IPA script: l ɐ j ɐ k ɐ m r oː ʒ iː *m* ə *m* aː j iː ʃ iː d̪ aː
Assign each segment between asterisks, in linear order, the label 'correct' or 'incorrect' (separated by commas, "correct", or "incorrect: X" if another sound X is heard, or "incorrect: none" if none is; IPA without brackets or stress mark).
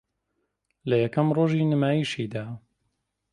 incorrect: n, correct